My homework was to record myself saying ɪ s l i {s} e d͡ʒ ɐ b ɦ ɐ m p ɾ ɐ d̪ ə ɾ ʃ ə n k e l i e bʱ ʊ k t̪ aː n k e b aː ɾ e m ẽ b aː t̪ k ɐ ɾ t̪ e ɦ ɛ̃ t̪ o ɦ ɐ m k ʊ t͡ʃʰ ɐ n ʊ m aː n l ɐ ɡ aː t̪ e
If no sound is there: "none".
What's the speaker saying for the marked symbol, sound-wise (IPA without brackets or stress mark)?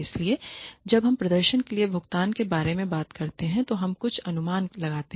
none